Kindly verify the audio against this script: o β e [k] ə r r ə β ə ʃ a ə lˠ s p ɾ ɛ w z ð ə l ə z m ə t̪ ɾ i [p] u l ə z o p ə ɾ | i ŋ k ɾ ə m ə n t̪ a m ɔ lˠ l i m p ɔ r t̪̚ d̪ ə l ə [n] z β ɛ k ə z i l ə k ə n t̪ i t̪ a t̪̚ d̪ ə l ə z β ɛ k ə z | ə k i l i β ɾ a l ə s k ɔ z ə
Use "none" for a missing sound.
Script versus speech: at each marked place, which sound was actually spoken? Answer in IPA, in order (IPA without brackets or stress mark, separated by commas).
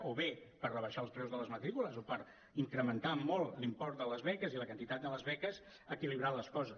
p, k, none